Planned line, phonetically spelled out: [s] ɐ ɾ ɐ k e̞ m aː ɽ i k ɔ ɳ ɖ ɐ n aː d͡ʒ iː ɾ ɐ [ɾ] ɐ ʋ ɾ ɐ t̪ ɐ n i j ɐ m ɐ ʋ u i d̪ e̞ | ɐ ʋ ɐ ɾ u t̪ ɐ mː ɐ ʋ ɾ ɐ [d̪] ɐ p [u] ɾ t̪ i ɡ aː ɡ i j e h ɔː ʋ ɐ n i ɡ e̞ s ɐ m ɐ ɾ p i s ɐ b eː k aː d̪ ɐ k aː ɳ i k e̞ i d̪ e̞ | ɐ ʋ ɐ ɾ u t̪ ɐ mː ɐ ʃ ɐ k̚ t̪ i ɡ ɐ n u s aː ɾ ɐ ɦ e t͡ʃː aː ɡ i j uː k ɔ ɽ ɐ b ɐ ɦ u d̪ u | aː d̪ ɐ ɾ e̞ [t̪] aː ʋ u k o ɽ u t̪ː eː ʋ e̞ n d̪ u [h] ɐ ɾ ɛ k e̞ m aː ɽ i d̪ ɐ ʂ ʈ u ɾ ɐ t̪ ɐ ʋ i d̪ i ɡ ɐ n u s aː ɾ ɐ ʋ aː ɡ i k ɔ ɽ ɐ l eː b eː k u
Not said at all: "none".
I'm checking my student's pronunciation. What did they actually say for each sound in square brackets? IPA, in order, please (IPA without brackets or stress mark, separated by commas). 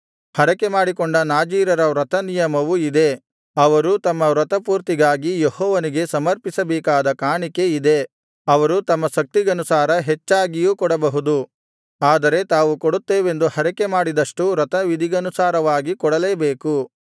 h, ɾ, t̪, uː, t̪, h